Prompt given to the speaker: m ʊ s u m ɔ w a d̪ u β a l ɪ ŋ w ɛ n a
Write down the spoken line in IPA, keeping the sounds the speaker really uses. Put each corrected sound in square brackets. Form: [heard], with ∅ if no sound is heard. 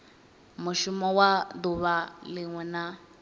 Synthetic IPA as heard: m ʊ [ʃ] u m ɔ w a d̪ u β a l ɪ ŋ w ɛ n a

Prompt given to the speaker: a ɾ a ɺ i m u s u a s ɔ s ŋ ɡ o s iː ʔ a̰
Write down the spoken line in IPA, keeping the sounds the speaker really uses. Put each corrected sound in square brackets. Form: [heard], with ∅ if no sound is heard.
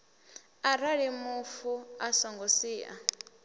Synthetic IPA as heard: a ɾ a ɺ i m u [f] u a s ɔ [∅] ŋ ɡ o s iː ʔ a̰

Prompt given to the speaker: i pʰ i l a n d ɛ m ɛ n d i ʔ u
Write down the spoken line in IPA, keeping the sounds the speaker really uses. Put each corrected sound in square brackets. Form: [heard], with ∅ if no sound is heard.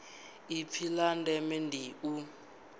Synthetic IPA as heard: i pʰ i l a n d ɛ m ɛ n d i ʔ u

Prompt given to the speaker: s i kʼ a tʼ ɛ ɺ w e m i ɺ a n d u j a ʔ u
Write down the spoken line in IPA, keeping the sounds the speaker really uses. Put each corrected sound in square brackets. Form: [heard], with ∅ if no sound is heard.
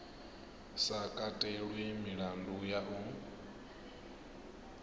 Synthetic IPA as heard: s [a] kʼ a tʼ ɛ ɺ w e m i ɺ a n d u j a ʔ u

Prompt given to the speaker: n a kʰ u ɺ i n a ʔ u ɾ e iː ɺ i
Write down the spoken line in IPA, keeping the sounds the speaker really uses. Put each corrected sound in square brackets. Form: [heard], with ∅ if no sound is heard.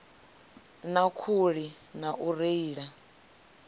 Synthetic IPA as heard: n a kʰ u ɺ i n a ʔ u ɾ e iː ɺ [a]

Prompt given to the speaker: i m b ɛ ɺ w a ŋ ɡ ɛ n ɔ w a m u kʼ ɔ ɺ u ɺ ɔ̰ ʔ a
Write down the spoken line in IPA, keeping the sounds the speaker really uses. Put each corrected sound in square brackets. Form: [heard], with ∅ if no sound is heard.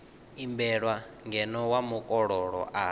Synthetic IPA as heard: i m b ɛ ɺ w a ŋ ɡ ɛ n ɔ w a m u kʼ ɔ ɺ [ɔ] ɺ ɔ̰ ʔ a

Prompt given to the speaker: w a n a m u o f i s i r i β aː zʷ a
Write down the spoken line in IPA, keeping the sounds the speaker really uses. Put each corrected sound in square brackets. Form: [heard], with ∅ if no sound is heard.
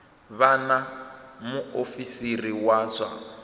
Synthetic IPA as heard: [β] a n a m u o f i s i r i [w] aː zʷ a

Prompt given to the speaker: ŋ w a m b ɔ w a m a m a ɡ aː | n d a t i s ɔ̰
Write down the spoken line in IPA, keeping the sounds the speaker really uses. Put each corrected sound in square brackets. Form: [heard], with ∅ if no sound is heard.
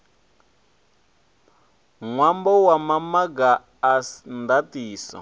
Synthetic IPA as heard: ŋ w a m b ɔ w a m a m a ɡ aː | n d a t [iː] s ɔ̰

